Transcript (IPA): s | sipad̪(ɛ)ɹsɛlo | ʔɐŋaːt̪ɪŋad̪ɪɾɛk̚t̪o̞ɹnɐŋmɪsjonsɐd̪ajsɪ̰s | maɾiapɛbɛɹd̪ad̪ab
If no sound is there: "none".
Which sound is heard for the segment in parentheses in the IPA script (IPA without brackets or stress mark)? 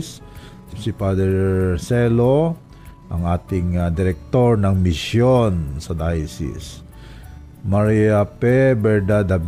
ɛ